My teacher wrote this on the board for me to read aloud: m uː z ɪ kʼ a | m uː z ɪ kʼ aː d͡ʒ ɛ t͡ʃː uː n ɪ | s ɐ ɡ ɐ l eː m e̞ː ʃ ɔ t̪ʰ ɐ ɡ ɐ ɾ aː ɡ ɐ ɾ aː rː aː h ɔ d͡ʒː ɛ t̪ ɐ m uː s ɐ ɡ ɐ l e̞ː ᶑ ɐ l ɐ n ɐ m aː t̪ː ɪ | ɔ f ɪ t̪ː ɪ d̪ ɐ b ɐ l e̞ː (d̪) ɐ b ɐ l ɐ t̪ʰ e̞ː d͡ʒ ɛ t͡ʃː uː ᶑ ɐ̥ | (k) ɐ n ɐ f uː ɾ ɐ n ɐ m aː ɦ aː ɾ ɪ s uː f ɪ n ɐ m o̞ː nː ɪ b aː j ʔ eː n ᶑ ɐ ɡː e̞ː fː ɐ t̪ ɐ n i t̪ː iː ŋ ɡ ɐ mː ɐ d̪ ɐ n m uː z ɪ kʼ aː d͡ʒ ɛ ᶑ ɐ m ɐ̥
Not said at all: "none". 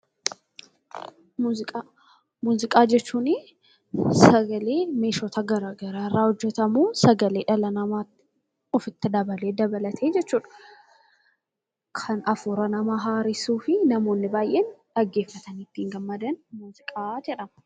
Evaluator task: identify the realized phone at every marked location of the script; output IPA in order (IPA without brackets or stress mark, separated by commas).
d̪, kʰ